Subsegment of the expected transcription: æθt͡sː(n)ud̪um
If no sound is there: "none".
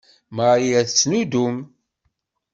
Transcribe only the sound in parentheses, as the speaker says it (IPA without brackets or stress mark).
n